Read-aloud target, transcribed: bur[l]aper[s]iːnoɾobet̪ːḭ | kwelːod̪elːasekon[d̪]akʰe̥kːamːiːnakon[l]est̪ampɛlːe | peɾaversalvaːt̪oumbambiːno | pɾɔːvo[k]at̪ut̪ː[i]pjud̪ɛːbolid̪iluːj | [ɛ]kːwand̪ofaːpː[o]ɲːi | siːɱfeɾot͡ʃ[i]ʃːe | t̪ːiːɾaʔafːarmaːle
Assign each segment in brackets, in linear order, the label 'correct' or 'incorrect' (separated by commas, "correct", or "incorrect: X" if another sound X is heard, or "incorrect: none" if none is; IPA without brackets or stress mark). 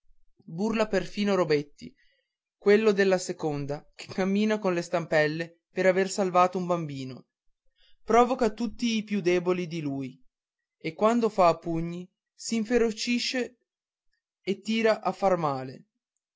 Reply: correct, incorrect: f, correct, correct, correct, incorrect: iː, incorrect: e, incorrect: u, correct